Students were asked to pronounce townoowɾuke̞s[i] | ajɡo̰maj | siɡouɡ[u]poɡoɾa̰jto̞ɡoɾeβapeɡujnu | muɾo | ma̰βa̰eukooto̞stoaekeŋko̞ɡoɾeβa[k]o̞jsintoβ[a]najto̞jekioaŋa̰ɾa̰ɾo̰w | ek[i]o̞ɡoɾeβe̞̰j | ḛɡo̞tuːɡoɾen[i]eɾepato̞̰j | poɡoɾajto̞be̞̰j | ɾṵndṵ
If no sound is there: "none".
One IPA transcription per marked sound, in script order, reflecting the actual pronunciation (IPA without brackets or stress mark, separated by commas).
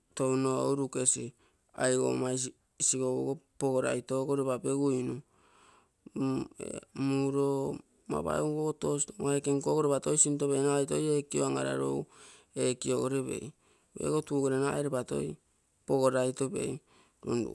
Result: i, o, t, e, i, a